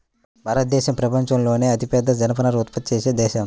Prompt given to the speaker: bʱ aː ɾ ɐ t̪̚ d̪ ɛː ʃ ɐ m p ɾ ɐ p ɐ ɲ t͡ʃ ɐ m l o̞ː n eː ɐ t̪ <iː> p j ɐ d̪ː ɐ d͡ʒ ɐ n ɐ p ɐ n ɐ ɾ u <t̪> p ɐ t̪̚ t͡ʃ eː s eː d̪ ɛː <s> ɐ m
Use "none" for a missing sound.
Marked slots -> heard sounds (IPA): i, t̪, ʃ

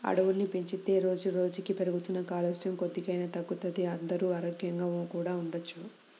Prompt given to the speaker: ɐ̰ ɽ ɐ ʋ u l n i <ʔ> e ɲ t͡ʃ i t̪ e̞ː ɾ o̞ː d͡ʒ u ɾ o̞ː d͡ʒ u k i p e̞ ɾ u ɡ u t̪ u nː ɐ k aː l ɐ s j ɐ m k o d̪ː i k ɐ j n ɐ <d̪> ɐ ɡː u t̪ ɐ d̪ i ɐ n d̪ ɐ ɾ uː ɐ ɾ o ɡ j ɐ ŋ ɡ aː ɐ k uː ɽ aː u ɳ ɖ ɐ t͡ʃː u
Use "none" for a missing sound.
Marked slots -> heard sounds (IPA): p, t̪

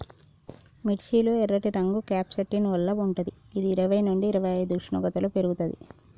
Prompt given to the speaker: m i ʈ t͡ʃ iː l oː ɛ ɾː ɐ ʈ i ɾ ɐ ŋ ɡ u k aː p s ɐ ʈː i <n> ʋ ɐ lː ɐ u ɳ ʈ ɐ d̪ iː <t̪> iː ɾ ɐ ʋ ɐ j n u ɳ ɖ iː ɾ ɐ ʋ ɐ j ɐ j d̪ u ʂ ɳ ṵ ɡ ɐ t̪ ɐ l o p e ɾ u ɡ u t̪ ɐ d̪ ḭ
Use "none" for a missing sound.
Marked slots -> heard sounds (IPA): n, d̪

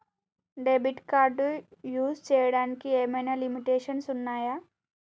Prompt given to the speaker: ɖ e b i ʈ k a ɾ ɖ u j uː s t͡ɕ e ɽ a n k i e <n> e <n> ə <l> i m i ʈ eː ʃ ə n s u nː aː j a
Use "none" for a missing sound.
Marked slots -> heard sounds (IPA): m, n, l

